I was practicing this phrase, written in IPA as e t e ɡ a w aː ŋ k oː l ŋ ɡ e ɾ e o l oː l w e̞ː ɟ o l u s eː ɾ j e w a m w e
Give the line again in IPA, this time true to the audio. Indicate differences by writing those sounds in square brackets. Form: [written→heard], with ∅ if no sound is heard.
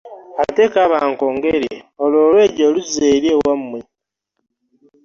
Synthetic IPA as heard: [e→a] t e [ɡ→k] a [w→β] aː ŋ k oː [l→∅] ŋ ɡ e ɾ e o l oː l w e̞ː ɟ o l u [s→z] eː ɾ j e w a m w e